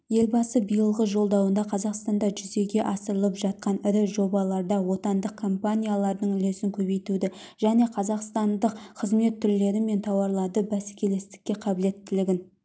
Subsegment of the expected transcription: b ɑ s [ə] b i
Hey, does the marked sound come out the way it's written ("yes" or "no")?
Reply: yes